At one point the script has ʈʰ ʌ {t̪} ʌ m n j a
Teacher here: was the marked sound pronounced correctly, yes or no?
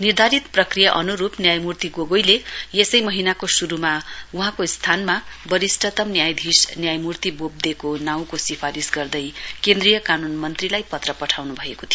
yes